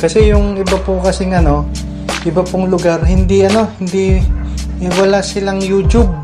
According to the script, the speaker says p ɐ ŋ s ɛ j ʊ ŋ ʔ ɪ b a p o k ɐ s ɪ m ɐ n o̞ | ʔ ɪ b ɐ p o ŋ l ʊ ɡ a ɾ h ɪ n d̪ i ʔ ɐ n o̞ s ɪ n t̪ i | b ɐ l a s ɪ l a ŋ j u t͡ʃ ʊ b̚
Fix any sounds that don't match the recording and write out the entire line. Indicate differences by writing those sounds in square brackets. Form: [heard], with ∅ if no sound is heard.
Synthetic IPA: [k] ɐ [∅] s ɛ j ʊ ŋ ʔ ɪ b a p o k ɐ s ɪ [ŋ] ɐ n o̞ | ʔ ɪ b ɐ p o ŋ l ʊ ɡ a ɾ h ɪ n d̪ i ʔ ɐ n o̞ [h] ɪ n [d̪] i | [w] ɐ l a s ɪ l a ŋ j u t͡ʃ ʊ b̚